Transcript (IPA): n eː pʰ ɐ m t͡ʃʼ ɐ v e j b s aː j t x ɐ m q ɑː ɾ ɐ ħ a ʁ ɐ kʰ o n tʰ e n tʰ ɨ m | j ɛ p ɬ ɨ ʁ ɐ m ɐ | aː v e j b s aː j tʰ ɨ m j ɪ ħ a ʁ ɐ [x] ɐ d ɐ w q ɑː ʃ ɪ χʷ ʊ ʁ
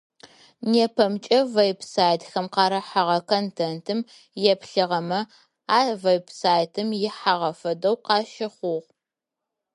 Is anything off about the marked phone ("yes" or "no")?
yes